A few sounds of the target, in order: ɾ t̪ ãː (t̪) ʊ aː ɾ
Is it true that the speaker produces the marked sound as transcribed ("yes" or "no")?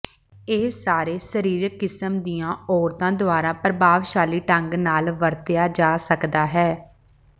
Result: no